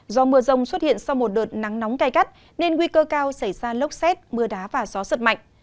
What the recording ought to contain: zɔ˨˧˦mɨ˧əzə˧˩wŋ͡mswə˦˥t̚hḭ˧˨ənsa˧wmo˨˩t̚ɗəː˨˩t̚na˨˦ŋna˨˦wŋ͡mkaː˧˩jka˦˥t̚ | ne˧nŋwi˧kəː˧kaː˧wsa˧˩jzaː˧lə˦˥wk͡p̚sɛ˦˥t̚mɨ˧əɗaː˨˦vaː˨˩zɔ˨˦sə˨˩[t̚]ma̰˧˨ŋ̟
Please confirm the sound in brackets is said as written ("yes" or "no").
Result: yes